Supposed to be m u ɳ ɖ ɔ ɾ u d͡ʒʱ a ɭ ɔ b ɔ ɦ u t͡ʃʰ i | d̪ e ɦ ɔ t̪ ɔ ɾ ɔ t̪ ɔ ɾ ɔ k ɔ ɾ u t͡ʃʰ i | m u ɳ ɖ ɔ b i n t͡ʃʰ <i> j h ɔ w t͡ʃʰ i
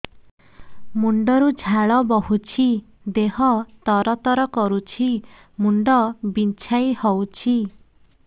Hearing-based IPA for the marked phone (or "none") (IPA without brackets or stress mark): a